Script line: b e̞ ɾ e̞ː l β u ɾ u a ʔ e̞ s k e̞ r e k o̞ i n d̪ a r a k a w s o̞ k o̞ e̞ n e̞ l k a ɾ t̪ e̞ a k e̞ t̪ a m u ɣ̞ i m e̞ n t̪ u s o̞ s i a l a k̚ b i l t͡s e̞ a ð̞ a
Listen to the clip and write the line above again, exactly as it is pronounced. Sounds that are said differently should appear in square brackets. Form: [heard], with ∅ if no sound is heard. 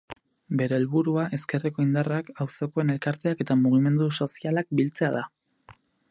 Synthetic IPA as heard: b e̞ ɾ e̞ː l β u ɾ u a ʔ e̞ s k e̞ r e k o̞ i n d̪ a r a k a w s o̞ k o̞ e̞ n e̞ l k a ɾ t̪ e̞ a k e̞ t̪ a m u ɣ̞ i m e̞ n [d̪] u s o̞ s i a l a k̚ b i l t͡s e̞ a ð̞ a